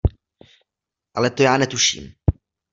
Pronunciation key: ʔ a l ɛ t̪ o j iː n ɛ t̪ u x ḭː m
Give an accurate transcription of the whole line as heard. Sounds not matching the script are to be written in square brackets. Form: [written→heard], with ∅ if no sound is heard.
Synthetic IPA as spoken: ʔ a l ɛ t̪ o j [iː→aː] n ɛ t̪ u [x→ʃ] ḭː m